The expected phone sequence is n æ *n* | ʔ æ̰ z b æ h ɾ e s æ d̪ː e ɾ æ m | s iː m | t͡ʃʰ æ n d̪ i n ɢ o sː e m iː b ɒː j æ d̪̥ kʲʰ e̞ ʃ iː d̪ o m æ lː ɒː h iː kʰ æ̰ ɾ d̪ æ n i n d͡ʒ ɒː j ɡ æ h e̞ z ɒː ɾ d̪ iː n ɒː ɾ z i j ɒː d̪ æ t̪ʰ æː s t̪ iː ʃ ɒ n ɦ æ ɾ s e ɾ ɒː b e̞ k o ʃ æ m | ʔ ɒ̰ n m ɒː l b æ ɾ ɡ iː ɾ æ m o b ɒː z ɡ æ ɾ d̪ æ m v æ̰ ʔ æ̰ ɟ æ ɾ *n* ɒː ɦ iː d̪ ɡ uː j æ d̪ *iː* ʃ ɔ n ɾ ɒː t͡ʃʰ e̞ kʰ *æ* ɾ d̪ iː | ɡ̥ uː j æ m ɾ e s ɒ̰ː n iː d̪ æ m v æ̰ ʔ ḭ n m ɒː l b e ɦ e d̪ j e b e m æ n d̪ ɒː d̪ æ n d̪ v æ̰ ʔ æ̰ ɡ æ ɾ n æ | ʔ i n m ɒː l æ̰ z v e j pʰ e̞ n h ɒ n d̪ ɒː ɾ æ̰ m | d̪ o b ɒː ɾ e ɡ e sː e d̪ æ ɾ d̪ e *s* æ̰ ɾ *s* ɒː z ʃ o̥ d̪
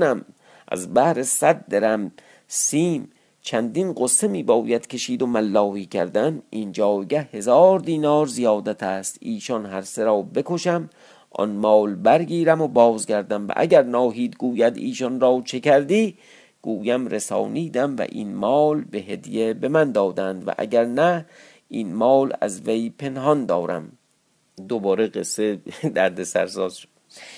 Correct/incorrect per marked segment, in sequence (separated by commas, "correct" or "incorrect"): incorrect, correct, correct, correct, correct, correct